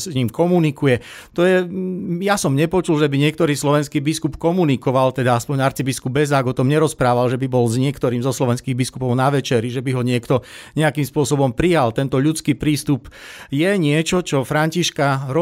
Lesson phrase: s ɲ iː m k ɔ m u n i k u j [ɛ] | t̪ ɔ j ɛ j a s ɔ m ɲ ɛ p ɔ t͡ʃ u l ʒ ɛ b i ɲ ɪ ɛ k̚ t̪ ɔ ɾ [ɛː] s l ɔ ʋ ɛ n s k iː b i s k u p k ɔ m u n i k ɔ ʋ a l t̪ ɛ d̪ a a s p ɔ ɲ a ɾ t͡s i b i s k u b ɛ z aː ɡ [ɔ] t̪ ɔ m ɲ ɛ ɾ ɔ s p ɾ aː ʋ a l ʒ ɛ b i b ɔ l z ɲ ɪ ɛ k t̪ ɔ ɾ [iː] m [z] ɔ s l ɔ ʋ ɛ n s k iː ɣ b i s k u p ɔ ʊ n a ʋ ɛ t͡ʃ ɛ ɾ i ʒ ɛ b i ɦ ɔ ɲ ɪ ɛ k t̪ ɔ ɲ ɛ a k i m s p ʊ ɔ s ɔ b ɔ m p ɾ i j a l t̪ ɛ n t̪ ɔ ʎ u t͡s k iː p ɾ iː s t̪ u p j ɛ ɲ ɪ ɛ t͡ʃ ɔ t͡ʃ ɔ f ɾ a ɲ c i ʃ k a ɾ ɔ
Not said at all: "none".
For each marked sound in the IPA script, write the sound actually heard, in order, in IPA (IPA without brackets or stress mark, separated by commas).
ɛ, iː, ɔ, iː, z